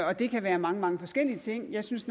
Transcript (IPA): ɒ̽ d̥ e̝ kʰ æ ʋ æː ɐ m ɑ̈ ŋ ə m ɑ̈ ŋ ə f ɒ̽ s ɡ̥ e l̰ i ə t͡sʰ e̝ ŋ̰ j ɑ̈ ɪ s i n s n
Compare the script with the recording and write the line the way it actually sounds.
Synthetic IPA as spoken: ɒ̽ d̥ e̝ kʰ æ ʋ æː ɐ m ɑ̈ ŋ ə m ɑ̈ ŋ ə f ɒ̽ s ɡ̥ e l̰ i ə t͡sʰ e̝ ŋ̰ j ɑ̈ ɪ s y n s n